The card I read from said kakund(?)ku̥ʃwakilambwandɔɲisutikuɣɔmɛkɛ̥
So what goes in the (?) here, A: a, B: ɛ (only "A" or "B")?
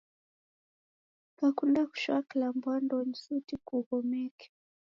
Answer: A